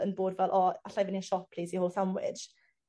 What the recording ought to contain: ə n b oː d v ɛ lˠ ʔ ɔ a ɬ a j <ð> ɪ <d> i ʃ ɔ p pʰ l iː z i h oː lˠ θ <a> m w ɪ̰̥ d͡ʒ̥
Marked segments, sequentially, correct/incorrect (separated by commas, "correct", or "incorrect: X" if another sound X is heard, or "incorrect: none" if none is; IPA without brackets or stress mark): incorrect: v, incorrect: n, correct